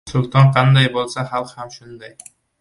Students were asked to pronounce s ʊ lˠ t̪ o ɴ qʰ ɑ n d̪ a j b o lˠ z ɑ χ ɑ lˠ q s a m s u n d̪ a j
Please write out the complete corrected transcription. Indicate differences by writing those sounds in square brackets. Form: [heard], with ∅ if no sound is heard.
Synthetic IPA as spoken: s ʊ lˠ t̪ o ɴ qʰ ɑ n d̪ [ɑ] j b o lˠ [s] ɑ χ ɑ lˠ q [h] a m [ʃ] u n d̪ [ɑ] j